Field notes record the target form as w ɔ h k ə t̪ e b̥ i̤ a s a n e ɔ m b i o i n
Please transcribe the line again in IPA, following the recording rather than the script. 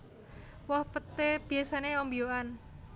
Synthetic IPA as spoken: w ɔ h p ə t̪ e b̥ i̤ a s a n e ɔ m b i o a n